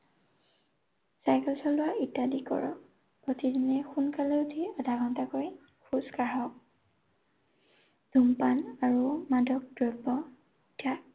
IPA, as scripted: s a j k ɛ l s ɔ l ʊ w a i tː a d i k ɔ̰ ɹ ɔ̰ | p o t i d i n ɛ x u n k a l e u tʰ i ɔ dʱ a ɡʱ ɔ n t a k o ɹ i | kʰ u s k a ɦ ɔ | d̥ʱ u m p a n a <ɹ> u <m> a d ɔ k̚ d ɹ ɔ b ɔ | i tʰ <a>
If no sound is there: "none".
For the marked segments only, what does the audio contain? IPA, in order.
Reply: ɹ, m, a

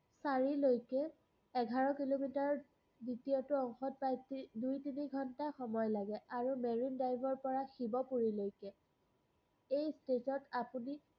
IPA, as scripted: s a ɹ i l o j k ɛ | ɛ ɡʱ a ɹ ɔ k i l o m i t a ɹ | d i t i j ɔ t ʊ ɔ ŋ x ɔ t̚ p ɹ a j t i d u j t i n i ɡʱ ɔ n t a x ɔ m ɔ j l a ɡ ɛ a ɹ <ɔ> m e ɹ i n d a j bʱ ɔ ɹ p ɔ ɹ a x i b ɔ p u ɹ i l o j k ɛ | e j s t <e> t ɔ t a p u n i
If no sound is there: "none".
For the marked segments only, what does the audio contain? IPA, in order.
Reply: u, e

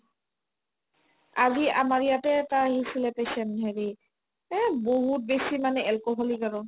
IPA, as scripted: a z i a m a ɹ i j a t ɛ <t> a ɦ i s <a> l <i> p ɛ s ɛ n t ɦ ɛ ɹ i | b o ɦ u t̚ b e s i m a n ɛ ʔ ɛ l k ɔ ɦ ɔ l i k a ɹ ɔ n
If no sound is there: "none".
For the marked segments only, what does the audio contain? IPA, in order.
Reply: t, i, ɛ

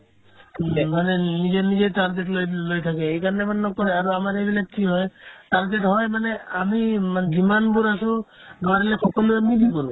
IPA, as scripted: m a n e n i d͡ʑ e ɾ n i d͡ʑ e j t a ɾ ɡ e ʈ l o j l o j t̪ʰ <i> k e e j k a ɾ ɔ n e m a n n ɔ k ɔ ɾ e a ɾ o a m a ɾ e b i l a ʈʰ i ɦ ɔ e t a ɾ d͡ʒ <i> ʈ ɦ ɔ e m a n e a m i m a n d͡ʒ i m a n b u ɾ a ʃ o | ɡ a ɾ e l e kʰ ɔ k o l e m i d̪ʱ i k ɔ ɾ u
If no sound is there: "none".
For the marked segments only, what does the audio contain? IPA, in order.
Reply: a, e

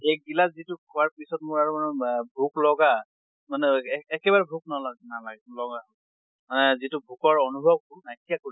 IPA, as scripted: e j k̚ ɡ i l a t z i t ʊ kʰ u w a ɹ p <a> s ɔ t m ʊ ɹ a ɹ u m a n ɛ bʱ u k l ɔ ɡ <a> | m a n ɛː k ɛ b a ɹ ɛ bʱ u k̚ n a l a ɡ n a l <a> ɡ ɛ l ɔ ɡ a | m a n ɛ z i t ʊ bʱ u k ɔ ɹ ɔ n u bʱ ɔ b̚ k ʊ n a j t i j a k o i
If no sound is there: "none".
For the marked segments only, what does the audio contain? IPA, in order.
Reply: i, a, a

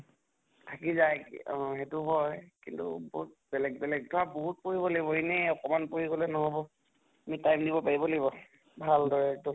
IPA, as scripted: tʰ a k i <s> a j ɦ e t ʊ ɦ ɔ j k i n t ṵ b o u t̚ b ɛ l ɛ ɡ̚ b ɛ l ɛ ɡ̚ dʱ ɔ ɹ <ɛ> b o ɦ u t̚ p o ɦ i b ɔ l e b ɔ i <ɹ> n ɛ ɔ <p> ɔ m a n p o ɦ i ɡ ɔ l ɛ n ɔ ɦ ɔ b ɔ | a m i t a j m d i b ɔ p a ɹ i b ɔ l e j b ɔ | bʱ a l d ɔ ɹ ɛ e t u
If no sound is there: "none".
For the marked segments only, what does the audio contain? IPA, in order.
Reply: z, a, none, k

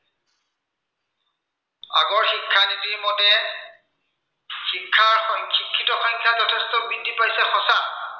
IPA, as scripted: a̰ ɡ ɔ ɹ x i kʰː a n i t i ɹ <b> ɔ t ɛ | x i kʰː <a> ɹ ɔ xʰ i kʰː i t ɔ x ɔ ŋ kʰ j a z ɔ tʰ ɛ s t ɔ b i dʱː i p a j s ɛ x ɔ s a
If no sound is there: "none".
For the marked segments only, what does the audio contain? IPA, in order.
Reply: m, a

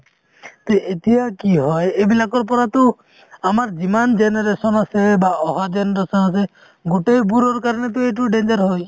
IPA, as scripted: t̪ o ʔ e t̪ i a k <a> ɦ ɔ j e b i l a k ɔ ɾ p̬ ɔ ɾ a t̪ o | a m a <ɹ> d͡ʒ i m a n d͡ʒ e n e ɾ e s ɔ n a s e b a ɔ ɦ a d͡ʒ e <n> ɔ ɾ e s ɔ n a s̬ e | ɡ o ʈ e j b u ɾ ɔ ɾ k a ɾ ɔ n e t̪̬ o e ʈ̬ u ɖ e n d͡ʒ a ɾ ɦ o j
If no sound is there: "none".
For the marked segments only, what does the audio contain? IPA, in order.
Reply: i, ɾ, n

